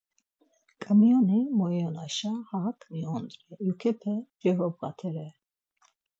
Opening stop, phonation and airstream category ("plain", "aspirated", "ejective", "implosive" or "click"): ejective